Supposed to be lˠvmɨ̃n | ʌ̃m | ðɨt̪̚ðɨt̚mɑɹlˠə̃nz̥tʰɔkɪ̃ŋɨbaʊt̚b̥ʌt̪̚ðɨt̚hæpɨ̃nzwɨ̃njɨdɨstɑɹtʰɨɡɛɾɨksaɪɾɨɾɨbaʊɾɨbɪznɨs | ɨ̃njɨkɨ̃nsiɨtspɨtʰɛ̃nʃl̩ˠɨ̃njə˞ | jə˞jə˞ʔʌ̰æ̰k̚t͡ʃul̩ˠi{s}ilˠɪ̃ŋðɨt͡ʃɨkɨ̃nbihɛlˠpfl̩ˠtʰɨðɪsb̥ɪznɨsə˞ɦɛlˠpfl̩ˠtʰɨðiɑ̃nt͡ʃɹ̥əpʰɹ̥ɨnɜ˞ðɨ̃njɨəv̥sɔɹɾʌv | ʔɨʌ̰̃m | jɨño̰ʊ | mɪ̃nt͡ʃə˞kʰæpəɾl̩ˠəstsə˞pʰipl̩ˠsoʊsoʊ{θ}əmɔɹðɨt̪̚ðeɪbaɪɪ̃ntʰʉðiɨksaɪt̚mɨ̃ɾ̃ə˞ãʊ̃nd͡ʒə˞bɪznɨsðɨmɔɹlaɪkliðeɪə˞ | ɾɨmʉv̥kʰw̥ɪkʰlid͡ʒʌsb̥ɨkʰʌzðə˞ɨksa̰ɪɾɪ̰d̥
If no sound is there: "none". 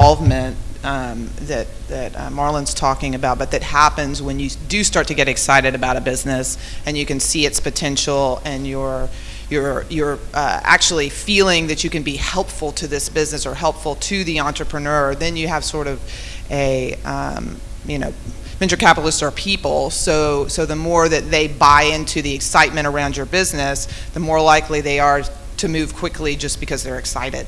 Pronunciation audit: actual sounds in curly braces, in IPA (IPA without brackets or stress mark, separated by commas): f, ð